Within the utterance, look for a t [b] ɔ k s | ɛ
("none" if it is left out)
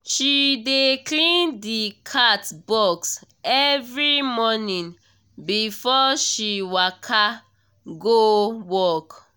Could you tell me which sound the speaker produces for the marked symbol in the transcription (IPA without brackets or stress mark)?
b